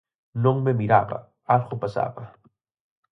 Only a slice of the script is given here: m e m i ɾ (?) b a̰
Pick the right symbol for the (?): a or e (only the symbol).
a